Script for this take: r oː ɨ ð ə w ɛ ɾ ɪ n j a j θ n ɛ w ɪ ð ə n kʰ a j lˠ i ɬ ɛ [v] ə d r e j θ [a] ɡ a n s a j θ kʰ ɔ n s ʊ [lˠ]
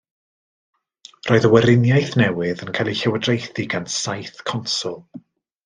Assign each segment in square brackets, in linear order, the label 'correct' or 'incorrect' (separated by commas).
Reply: incorrect, incorrect, correct